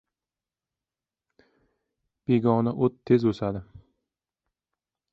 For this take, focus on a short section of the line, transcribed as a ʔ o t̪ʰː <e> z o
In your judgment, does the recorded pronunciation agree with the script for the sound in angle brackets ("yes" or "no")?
yes